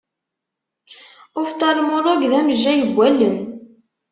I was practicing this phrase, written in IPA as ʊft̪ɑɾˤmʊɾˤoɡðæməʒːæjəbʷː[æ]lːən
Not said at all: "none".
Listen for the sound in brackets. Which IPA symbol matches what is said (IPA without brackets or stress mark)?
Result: æ